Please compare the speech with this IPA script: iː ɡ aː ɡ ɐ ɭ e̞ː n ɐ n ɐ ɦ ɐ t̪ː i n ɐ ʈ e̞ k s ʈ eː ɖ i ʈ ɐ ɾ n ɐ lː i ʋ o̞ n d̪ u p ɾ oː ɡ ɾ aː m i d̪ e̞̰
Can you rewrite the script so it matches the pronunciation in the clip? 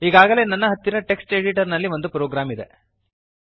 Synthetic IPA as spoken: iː ɡ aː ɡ ɐ l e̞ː n ɐ nː ɐ ɦ ɐ t̪ː i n ɐ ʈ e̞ k s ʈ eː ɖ i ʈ ɐ ɾ n ɐ lː i ʋ o̞ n d̪ u p ɾ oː ɡ ɾ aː m i d̪ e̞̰